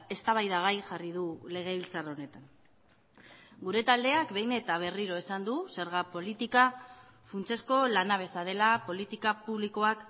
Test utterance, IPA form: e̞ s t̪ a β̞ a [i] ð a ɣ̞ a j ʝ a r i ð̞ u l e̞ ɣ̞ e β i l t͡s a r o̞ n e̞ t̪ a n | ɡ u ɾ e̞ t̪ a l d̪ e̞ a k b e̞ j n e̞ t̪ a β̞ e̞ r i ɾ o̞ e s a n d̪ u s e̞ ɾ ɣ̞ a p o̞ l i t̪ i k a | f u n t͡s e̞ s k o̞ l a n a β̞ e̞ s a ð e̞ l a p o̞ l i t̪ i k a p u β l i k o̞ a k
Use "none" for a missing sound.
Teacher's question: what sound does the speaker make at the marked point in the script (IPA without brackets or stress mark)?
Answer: j